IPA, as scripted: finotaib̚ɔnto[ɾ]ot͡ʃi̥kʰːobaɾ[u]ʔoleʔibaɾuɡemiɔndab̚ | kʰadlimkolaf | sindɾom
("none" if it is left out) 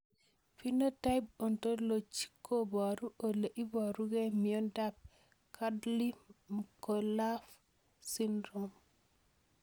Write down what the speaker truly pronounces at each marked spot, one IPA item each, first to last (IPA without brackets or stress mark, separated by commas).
l, u